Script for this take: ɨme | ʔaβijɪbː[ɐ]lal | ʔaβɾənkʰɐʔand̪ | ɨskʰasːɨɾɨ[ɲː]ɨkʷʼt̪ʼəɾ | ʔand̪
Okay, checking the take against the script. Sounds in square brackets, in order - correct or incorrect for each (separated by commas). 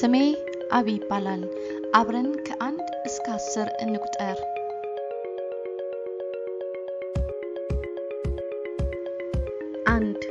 incorrect, incorrect